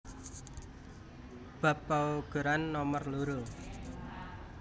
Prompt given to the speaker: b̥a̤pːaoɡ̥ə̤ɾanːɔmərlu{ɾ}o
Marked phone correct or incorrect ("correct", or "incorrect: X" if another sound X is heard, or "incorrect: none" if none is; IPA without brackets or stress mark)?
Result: correct